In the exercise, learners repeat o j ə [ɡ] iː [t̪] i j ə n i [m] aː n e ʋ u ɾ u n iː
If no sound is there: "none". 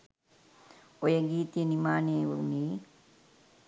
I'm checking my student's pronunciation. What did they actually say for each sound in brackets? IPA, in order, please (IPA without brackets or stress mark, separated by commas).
ɡ, t̪, m